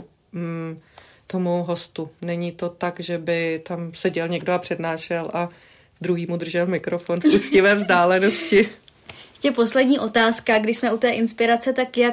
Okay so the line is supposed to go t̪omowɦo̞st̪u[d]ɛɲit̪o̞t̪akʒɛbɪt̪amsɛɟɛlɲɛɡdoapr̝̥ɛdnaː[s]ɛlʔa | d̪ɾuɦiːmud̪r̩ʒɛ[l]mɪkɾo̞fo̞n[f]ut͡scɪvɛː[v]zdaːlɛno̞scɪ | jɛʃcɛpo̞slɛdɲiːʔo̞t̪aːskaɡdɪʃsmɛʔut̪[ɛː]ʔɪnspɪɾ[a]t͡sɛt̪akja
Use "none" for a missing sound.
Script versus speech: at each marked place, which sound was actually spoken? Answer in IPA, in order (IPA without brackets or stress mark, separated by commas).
n, ʃ, l, f, v, ɛː, a